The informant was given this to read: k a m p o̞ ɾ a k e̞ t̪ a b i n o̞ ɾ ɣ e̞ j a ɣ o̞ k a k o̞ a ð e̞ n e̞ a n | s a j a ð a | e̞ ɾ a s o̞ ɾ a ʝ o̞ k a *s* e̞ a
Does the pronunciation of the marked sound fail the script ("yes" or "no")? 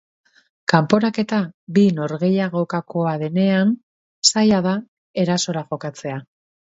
yes